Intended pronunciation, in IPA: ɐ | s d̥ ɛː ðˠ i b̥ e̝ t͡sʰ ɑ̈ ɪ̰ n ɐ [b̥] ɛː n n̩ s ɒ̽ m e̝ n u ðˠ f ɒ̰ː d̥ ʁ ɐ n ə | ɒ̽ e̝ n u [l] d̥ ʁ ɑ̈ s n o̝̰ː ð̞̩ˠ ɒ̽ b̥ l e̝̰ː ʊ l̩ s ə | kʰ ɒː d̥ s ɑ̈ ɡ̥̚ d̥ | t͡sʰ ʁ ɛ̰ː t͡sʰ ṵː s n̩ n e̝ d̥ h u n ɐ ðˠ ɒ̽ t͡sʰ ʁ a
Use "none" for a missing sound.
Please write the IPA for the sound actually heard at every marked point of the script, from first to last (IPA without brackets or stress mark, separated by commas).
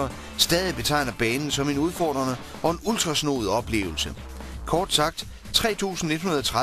b̥, l